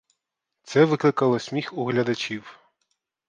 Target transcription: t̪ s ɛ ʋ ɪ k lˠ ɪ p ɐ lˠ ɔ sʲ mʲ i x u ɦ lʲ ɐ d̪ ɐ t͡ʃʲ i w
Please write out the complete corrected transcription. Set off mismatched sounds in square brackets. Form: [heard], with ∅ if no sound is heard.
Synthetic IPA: t̪ s ɛ ʋ ɪ k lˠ ɪ [k] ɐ lˠ ɔ sʲ mʲ i x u ɦ lʲ ɐ d̪ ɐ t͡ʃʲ i w